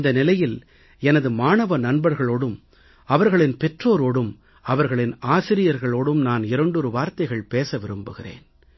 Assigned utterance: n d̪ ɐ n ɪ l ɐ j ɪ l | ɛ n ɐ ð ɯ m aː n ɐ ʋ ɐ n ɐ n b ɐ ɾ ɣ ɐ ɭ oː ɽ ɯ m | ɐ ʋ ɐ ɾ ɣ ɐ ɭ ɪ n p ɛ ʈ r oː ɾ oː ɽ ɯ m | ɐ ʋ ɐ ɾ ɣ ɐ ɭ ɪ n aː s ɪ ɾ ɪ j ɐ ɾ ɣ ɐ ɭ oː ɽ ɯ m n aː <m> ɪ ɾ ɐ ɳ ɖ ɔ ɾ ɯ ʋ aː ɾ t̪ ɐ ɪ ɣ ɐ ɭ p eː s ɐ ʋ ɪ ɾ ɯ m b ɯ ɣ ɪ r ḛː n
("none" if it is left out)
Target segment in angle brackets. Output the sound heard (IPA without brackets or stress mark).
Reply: n